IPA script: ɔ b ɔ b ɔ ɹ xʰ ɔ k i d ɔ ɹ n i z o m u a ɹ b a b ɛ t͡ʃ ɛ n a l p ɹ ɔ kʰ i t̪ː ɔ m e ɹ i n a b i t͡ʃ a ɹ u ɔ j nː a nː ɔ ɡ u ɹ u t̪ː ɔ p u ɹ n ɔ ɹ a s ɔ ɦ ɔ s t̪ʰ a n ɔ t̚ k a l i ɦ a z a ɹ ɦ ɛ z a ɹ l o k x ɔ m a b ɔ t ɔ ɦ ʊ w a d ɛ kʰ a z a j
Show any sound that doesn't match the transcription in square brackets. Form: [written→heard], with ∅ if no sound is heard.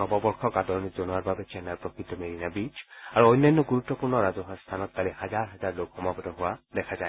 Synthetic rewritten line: ɔ b ɔ b ɔ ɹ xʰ ɔ k [i→a] d ɔ ɹ n i z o [m→n] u a ɹ b a b ɛ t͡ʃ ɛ n a [l→ɹ] p ɹ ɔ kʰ i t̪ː ɔ m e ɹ i n a b i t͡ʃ a ɹ u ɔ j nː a nː ɔ ɡ u ɹ u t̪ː ɔ p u ɹ n ɔ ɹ a [s→z] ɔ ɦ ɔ s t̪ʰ a n ɔ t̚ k a l i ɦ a z a ɹ ɦ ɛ z a ɹ l o k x ɔ m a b ɔ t ɔ ɦ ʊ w a d ɛ kʰ a z a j